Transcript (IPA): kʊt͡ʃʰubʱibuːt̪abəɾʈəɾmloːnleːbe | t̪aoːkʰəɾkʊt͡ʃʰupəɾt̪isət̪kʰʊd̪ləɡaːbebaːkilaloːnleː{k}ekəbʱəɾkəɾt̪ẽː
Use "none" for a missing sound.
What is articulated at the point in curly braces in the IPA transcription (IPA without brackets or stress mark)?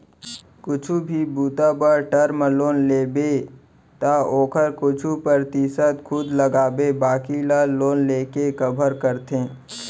k